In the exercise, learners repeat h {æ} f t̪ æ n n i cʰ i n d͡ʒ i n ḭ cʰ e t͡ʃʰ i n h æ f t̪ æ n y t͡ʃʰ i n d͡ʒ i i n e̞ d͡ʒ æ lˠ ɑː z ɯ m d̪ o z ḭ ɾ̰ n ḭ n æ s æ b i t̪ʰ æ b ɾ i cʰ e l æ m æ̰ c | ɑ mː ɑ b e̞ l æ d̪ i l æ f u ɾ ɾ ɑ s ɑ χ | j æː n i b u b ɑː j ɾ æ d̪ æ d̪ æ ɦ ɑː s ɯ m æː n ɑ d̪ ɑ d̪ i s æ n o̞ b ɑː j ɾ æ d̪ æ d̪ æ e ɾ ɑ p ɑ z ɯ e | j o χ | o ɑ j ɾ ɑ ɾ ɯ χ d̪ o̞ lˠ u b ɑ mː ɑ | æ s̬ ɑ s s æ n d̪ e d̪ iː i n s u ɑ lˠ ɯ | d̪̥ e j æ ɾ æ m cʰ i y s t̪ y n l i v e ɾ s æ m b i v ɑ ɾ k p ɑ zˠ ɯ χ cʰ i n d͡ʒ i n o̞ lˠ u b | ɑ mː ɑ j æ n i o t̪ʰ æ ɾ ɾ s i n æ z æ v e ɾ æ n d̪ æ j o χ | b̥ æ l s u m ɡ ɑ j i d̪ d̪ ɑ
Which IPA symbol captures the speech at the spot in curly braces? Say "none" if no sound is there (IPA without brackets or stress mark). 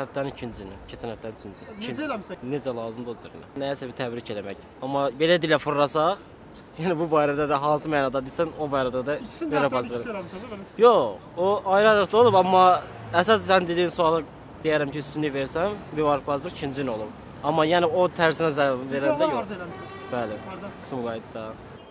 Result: æ